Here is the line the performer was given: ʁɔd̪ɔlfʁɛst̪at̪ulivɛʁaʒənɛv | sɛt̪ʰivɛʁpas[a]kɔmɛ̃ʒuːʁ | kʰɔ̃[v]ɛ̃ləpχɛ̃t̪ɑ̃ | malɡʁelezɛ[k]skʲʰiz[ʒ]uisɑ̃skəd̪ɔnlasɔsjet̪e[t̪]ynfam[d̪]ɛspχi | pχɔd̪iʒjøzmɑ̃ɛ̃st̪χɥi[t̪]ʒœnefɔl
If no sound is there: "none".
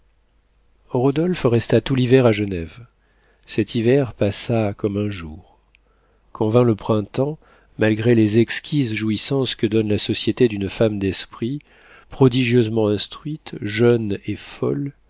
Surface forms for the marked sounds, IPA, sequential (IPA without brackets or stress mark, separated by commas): a, v, k, ʒ, d̪, d̪, t̪